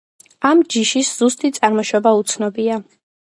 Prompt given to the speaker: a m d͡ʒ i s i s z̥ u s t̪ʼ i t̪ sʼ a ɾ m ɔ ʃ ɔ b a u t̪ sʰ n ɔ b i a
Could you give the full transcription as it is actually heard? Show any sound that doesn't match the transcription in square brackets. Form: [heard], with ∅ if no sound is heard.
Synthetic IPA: a m d͡ʒ i [ʃ] i s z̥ u s t̪ʼ i t̪ sʼ a ɾ m ɔ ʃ ɔ b a u t̪ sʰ n ɔ b i a